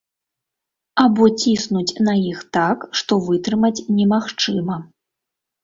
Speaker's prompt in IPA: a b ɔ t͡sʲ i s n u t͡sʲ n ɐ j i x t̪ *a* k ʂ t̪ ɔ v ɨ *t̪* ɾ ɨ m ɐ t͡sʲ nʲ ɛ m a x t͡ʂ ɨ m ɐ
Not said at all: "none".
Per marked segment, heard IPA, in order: a, t̪

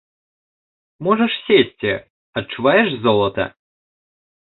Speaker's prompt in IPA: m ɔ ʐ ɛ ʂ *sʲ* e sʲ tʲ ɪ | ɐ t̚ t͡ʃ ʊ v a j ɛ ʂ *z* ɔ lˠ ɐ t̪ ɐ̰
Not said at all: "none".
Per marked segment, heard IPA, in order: sʲ, z

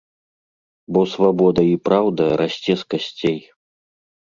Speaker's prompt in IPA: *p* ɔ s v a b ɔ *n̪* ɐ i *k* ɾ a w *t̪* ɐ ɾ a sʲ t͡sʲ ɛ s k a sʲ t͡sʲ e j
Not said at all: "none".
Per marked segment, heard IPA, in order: b, d̪, p, d̪

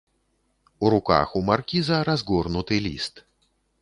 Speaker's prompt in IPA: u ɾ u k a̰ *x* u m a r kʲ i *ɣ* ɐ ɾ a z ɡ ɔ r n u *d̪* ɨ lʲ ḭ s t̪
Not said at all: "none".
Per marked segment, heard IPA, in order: x, z, t̪

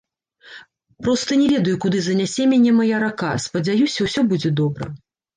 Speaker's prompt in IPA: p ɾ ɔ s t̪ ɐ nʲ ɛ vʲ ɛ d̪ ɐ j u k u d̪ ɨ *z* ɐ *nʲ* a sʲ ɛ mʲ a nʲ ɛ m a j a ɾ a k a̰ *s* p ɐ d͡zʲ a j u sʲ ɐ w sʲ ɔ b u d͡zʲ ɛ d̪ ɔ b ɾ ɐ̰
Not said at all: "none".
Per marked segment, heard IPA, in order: z, nʲ, s

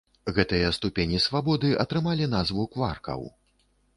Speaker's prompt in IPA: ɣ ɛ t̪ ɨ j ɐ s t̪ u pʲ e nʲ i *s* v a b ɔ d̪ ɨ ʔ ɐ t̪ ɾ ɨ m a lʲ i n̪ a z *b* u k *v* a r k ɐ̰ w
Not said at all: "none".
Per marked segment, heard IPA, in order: s, v, v

